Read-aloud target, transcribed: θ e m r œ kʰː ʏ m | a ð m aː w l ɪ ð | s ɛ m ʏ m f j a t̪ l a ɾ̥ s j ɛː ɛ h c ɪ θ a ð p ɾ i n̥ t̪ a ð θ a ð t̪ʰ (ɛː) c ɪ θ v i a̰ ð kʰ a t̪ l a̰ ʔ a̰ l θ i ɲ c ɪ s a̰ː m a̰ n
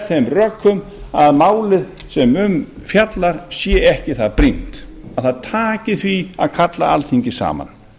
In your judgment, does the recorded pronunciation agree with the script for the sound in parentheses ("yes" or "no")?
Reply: no